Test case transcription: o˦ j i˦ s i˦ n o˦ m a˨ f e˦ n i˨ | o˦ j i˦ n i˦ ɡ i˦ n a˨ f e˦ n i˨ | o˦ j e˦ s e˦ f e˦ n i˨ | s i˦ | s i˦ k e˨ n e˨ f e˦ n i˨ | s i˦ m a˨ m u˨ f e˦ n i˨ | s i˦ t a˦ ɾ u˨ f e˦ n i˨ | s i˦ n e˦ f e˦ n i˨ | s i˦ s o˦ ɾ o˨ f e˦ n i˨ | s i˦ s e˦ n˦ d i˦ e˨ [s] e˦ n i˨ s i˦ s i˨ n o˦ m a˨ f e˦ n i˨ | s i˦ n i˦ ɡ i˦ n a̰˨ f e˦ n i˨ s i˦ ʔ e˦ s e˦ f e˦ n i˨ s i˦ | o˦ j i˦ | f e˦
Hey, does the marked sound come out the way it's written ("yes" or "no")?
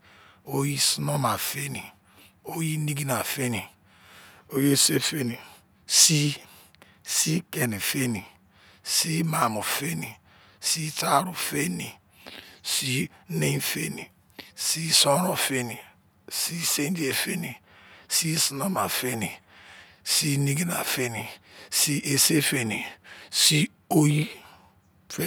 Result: no